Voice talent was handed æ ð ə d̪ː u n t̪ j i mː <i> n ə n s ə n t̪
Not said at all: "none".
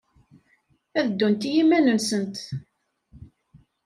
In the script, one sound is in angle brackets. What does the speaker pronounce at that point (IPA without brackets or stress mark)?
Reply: æ